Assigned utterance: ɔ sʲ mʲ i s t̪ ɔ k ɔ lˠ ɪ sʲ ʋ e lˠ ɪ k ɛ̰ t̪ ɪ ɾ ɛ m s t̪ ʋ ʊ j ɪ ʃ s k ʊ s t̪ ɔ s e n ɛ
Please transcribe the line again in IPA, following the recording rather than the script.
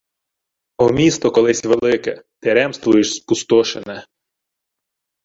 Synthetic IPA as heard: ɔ mʲ i s t̪ ɔ k ɔ lˠ ɪ sʲ ʋ e lˠ ɪ k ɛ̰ t̪ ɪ ɾ ɛ m s t̪ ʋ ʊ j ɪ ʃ s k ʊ s t̪ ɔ ʃ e n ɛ